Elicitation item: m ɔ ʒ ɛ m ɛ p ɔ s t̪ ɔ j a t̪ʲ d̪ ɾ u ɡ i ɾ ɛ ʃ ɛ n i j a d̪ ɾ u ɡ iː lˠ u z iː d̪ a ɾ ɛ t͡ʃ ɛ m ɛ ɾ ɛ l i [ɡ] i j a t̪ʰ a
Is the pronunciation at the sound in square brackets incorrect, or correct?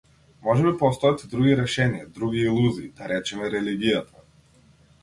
correct